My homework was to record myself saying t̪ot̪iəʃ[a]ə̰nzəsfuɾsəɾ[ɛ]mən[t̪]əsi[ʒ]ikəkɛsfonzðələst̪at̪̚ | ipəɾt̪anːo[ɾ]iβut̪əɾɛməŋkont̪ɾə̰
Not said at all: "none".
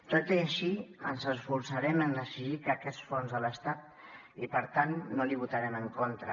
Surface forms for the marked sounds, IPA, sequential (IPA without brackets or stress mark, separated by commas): i, ɛ, d̪, ʒ, l